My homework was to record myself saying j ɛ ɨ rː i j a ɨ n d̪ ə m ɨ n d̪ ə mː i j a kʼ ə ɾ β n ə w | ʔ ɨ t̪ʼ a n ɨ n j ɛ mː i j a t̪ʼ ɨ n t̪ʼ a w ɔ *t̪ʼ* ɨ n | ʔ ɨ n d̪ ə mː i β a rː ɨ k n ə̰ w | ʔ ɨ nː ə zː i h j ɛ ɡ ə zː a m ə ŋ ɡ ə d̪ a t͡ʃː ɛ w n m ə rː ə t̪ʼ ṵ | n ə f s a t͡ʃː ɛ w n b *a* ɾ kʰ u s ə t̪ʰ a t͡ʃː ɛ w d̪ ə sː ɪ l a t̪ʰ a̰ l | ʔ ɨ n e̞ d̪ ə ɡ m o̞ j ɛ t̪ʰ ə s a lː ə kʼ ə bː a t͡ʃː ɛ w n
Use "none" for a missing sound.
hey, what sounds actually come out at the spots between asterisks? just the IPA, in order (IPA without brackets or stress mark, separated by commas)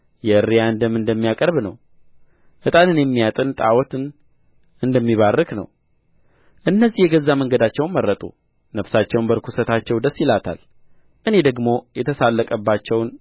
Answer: t̪, ə